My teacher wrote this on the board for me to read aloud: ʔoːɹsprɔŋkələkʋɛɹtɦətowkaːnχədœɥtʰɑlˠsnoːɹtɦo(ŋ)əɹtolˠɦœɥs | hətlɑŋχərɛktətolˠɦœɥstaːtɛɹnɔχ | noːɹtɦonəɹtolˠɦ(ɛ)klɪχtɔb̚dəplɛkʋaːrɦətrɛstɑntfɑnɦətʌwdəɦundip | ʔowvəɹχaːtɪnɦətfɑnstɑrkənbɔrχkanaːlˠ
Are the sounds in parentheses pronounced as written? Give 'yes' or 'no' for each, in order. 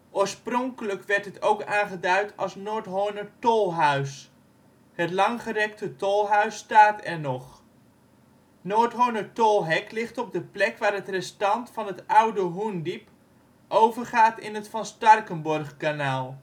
no, yes

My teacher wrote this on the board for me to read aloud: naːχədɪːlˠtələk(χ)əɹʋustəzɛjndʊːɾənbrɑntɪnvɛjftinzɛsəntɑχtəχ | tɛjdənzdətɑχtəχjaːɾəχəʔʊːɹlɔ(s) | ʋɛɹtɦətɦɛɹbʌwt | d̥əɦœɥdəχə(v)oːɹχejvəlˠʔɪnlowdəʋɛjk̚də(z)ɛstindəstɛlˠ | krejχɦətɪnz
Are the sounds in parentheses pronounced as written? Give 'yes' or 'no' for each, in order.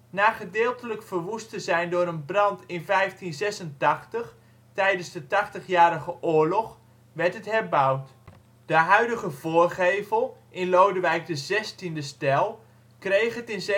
no, no, yes, yes

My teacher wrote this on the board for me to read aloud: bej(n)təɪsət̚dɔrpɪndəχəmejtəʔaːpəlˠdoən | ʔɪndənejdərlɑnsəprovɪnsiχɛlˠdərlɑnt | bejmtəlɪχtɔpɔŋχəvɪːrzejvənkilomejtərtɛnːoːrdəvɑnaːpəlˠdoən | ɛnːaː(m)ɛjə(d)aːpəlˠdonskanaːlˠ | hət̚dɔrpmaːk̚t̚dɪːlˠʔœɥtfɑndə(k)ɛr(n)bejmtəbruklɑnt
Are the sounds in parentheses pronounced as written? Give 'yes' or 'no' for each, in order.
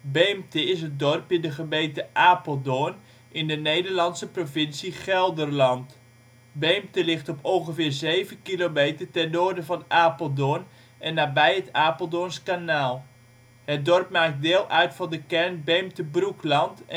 no, no, no, yes, yes

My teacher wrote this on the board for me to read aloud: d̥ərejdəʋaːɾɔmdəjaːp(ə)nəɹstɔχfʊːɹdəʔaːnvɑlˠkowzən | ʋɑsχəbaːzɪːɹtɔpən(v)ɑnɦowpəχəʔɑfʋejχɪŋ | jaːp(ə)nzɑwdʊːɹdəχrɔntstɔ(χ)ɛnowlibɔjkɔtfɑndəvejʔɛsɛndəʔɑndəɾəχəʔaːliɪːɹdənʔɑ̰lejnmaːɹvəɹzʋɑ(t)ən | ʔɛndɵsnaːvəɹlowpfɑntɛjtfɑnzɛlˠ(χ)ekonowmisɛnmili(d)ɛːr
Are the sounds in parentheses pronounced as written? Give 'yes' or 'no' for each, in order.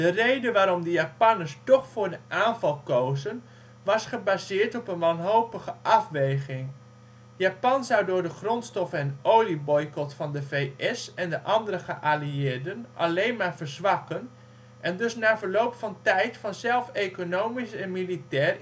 no, no, no, no, no, no, no

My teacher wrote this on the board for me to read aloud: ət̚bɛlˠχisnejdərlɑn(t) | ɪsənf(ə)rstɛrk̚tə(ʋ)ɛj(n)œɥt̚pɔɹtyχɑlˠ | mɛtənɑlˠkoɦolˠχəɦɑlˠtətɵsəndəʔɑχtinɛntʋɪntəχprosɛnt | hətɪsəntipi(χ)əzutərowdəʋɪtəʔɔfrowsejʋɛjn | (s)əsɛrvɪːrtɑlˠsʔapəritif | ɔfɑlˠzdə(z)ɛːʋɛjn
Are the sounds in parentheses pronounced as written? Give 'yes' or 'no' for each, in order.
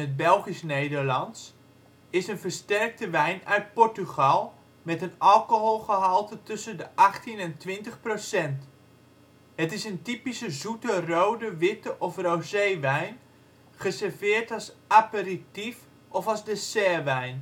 no, yes, yes, yes, no, no, no

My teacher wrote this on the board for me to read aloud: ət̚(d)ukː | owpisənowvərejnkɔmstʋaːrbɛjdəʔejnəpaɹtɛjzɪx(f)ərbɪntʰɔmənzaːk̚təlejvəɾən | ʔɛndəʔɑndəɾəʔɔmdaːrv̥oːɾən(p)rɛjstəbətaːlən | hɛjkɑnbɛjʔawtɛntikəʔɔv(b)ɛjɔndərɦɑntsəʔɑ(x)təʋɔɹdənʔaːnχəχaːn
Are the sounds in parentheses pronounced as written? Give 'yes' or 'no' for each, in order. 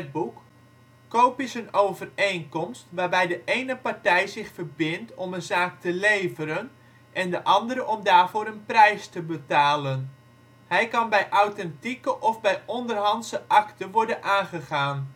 no, yes, yes, yes, no

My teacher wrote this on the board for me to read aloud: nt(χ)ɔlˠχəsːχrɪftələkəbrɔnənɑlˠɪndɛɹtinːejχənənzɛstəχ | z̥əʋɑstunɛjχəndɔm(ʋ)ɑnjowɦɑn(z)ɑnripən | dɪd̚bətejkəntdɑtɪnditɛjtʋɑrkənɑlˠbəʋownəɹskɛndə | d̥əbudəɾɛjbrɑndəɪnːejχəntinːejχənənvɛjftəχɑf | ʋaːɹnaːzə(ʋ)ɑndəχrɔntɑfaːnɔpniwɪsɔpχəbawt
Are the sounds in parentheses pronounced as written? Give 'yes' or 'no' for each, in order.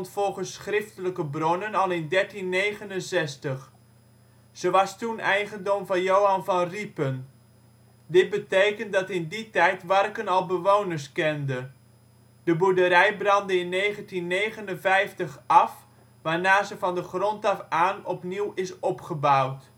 no, no, no, no

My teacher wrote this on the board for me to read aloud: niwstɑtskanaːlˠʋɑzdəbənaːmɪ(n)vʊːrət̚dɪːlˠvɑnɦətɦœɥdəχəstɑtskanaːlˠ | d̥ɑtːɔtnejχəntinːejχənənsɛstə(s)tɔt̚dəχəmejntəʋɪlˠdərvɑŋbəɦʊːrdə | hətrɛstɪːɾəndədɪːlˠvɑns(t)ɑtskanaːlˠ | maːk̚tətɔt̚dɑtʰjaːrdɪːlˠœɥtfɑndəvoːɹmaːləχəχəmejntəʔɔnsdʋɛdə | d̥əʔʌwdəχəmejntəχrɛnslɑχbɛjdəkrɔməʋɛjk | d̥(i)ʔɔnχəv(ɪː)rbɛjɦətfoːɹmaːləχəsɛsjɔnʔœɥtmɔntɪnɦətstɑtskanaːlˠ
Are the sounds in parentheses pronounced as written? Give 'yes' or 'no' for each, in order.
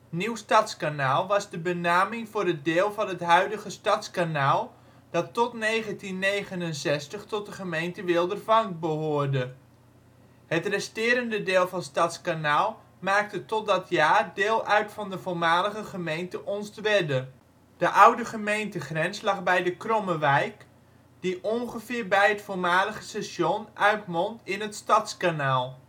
no, no, yes, yes, yes

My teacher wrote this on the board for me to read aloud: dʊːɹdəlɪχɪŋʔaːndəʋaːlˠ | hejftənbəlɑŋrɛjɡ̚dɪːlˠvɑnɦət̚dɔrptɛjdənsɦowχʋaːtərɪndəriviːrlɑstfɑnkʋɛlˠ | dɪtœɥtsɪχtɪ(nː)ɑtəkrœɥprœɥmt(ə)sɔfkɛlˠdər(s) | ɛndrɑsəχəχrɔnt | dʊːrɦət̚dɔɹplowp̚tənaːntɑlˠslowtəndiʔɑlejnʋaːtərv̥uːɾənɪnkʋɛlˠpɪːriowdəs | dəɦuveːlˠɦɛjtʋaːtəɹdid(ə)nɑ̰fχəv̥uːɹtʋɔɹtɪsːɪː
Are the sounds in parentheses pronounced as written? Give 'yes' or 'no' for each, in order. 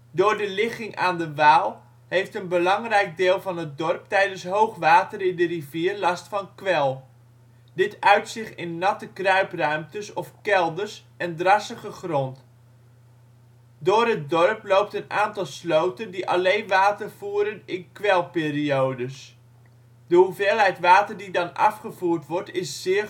yes, yes, yes, no

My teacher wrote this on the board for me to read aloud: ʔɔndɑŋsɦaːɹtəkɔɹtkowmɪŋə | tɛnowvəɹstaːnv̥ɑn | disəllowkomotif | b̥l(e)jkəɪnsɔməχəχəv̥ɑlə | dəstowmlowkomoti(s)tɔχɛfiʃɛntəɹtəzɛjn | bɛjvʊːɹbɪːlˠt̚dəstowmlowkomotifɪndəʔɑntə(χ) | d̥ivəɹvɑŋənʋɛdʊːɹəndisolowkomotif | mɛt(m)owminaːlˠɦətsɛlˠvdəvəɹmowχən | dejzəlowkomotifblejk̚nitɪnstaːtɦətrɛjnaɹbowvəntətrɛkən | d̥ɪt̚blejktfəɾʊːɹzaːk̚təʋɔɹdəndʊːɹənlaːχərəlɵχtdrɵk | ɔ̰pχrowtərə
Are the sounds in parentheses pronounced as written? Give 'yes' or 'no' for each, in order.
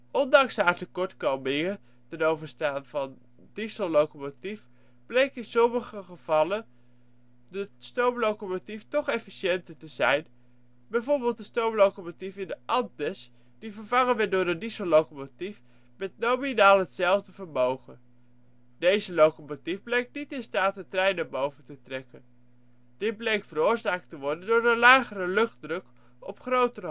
yes, no, no, no

